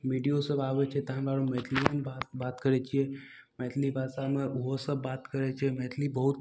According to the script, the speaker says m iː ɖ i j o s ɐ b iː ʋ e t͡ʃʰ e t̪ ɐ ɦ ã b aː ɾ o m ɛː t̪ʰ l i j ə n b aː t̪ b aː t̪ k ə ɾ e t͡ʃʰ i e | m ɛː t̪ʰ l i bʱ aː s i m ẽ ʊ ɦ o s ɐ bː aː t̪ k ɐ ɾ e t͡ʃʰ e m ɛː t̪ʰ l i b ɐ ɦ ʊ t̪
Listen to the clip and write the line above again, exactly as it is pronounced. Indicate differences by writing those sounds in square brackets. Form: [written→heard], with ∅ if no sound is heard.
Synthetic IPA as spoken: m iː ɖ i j o s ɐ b [iː→aː] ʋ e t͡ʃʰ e t̪ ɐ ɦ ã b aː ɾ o m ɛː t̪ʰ l i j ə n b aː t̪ b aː t̪ k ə ɾ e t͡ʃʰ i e | m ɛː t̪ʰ l i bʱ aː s [i→a] m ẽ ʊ ɦ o s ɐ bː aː t̪ k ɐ ɾ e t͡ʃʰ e m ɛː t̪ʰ l i b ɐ ɦ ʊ t̪